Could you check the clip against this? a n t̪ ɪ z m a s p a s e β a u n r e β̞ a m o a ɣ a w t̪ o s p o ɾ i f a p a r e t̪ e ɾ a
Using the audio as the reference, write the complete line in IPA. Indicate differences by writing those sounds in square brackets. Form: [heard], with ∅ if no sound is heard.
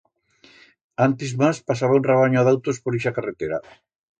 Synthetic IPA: a n t̪ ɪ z m a s p a s [a] β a u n r e β̞ a [ɲ] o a [ð] a w t̪ o s p o ɾ i [ʃ] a [k] a r e t̪ e ɾ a